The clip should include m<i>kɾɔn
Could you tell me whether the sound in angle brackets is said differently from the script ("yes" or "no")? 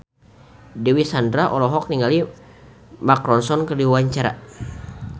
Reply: yes